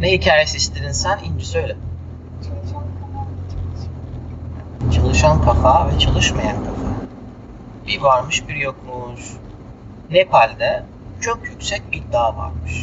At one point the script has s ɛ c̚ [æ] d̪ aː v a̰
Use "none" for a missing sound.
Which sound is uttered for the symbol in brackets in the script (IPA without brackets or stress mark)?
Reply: i